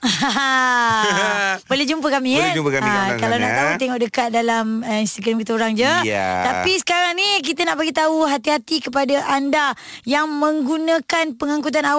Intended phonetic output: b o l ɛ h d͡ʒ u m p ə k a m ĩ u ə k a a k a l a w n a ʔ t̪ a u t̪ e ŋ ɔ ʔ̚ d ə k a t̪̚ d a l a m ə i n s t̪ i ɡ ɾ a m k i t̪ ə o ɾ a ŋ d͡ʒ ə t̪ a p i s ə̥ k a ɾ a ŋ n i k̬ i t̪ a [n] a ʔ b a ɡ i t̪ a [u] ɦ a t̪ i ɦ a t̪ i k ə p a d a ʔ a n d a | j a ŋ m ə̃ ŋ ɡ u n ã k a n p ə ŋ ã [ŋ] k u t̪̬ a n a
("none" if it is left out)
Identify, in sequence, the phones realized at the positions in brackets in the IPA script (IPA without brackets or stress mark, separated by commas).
n, u, ŋ